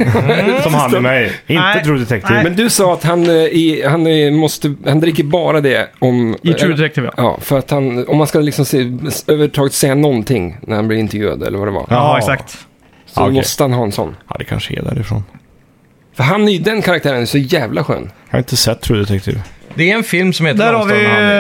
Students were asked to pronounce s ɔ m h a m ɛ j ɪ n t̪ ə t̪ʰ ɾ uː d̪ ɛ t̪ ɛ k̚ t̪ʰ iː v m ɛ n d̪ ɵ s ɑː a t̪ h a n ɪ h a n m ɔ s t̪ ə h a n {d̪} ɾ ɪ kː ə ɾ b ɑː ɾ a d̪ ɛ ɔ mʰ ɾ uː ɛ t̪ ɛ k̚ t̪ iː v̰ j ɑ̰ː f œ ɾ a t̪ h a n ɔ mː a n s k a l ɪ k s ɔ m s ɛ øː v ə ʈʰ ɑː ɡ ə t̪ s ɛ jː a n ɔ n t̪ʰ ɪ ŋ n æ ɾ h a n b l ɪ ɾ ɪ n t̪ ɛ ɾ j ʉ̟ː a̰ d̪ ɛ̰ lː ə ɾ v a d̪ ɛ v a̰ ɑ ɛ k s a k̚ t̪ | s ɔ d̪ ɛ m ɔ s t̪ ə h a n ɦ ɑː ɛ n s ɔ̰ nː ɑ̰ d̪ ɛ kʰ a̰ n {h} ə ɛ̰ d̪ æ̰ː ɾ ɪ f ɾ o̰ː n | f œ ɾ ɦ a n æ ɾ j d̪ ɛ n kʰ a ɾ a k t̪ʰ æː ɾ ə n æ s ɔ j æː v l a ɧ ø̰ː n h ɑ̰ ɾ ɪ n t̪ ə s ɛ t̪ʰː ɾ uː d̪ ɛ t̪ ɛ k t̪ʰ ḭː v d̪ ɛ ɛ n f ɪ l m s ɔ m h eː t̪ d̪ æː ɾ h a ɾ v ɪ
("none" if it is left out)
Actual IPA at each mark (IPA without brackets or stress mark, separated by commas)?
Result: d̪, ʂ